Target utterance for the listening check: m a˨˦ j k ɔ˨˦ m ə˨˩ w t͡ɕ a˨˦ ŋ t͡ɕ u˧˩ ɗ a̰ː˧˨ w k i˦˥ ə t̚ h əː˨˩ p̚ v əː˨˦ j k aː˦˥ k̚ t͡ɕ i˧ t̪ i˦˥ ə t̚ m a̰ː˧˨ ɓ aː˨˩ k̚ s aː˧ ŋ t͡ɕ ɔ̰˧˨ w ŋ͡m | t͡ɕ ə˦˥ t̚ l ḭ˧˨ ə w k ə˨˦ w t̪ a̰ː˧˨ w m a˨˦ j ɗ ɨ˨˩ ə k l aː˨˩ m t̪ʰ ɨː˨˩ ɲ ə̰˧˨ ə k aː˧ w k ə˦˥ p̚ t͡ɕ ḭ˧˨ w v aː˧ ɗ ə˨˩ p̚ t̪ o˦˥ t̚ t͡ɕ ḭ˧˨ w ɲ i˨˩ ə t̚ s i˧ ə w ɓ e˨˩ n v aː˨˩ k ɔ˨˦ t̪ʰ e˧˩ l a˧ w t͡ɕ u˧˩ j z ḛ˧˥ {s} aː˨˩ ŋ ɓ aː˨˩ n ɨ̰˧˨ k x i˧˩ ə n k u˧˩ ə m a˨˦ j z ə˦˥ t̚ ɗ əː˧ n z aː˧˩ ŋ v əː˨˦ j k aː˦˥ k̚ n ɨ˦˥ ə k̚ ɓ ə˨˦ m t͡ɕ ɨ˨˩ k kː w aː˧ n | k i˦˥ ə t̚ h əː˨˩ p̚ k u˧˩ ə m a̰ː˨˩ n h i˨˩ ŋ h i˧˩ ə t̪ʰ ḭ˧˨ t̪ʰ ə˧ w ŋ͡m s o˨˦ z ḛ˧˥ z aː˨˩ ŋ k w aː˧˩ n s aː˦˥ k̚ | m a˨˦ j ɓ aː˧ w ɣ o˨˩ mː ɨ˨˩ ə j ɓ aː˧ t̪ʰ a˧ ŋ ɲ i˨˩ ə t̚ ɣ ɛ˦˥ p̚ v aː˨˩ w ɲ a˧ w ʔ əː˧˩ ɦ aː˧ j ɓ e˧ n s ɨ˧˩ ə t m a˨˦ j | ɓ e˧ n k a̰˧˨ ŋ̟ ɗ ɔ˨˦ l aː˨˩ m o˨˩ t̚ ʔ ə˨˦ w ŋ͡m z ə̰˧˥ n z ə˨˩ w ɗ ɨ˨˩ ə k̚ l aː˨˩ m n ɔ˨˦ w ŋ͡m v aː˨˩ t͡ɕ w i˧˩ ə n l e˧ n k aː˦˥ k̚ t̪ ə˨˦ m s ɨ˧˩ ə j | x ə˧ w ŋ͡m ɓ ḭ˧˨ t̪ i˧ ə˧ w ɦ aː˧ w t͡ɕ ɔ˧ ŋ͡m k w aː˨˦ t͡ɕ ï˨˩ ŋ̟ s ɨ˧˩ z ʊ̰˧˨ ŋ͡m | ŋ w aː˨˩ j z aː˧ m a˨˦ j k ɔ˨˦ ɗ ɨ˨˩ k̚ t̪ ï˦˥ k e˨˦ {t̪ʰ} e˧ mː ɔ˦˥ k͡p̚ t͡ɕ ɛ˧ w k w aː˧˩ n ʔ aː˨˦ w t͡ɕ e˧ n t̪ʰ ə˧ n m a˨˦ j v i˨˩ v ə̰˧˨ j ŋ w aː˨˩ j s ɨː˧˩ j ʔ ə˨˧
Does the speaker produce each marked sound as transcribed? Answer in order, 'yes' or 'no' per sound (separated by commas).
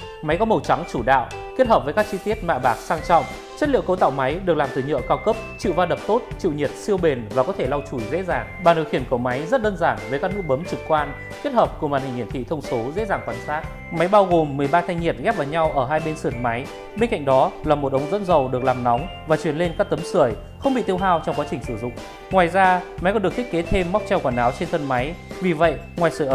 no, yes